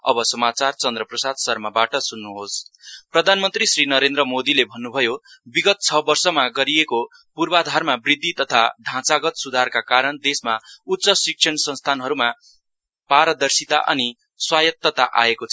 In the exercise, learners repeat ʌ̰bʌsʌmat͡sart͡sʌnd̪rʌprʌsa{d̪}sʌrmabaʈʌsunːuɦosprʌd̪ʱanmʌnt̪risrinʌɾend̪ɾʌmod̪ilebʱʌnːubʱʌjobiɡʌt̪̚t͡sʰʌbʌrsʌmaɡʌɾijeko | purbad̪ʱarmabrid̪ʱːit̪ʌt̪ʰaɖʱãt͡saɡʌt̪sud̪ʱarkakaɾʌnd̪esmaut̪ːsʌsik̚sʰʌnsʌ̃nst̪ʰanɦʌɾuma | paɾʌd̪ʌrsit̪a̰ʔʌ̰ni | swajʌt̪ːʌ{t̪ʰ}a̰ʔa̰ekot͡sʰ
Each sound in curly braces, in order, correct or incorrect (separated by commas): correct, incorrect